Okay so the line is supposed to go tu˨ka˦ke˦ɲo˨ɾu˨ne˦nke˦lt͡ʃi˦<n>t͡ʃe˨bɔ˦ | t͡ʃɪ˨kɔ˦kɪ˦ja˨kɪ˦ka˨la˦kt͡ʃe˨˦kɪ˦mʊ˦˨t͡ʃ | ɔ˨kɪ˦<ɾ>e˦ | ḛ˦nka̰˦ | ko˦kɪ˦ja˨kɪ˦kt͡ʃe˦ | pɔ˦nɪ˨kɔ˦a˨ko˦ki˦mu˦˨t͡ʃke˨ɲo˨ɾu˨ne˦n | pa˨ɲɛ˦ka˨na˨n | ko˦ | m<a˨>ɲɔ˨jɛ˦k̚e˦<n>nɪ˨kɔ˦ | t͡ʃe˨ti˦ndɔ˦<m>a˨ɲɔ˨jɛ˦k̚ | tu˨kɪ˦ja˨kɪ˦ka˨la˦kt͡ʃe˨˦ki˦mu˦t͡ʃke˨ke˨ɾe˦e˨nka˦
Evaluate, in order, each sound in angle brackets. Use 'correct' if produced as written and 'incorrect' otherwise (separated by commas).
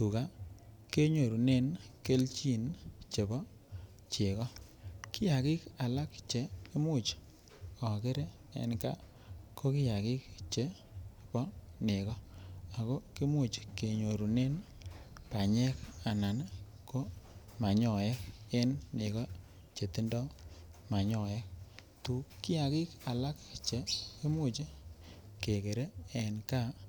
correct, correct, correct, correct, correct